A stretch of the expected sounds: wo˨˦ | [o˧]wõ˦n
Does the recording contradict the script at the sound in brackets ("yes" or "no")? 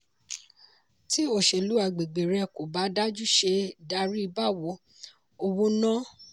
no